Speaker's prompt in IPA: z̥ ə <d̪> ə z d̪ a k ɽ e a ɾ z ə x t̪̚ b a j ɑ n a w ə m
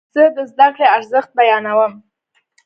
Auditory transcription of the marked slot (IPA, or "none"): d̪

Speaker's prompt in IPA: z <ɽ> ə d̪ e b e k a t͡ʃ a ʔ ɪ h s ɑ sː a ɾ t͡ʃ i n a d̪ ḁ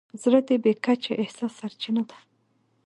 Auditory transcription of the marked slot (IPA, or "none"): ɾ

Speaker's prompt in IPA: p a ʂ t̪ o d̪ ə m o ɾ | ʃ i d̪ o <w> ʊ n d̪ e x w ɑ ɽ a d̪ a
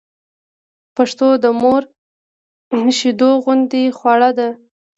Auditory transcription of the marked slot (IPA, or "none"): ɣ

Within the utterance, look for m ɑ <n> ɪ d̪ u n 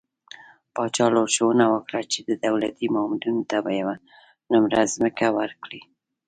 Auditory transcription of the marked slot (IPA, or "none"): m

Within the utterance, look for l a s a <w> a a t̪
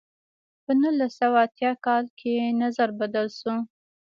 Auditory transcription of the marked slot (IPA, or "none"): w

